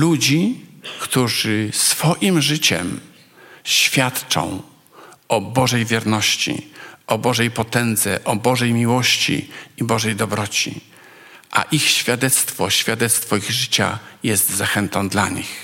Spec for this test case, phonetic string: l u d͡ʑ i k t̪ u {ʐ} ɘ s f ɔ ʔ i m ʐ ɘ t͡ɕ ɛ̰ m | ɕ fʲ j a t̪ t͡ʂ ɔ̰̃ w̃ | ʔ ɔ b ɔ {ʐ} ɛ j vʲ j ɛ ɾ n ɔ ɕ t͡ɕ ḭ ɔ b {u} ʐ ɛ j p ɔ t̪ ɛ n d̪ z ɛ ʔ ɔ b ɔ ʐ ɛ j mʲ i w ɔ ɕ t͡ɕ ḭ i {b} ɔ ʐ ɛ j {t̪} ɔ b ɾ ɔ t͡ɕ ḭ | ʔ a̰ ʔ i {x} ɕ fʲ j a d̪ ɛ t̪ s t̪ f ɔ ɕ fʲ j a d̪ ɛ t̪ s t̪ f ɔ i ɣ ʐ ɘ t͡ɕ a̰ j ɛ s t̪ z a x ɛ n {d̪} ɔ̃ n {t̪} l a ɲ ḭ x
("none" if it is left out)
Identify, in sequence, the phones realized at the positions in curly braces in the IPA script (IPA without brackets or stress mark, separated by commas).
ʐ, ʐ, ɔ, b, d̪, x, t̪, d̪